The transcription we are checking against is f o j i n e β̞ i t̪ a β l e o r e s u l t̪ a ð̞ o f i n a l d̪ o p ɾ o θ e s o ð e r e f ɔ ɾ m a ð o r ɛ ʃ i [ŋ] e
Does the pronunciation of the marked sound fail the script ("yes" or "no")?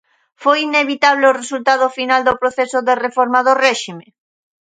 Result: yes